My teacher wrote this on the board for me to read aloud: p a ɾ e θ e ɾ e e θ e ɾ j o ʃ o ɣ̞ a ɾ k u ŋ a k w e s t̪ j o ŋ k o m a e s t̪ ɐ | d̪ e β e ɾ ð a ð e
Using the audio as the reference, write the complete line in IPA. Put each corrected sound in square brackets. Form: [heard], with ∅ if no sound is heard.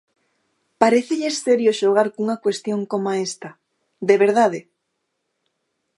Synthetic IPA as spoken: p a ɾ e θ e [ʎ] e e [s] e ɾ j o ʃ o ɣ̞ a ɾ k u ŋ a k w e s t̪ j o ŋ k o m a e s t̪ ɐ | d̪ e β e ɾ ð a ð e